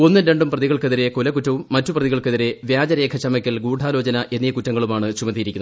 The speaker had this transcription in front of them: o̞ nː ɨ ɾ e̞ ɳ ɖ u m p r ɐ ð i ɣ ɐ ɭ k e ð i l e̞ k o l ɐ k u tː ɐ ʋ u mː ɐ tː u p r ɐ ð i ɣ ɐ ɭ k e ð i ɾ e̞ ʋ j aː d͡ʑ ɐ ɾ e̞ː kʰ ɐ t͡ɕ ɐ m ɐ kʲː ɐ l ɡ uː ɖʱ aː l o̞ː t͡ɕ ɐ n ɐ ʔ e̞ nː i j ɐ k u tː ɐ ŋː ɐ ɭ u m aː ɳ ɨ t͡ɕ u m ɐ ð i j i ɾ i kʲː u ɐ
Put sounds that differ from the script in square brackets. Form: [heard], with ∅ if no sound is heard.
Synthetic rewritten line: o̞ nː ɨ ɾ e̞ ɳ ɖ u m p r ɐ ð i ɣ ɐ ɭ k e ð i [ɾ] e̞ k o l ɐ k u tː ɐ ʋ u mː ɐ tː u p r ɐ ð i ɣ ɐ ɭ k e ð i ɾ e̞ ʋ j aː d͡ʑ ɐ ɾ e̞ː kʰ ɐ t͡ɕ ɐ m ɐ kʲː ɐ l ɡ uː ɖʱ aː l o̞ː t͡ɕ ɐ n ɐ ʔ e̞ nː i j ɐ k u tː ɐ ŋː ɐ ɭ u m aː ɳ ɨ t͡ɕ u m ɐ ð i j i ɾ i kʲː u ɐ